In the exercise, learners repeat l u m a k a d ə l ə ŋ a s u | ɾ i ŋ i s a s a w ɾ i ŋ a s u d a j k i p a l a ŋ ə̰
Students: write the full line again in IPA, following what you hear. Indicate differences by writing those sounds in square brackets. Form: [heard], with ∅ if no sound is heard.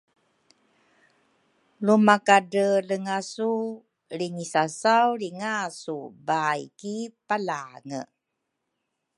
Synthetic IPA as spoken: l u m a k a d ə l ə ŋ a s u | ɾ i ŋ i s a s a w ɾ i ŋ a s u [b] a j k i p a l a ŋ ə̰